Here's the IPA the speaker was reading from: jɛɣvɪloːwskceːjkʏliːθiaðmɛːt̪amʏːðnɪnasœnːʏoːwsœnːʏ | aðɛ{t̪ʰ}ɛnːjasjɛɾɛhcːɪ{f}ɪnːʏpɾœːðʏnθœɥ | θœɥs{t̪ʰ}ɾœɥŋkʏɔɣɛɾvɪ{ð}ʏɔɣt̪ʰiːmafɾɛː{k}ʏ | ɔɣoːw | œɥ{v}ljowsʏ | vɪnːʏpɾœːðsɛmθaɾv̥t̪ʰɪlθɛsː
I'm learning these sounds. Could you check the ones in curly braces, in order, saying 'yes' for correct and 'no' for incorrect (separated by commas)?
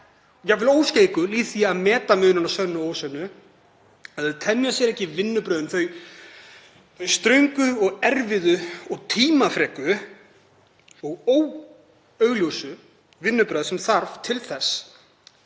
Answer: yes, no, no, yes, yes, no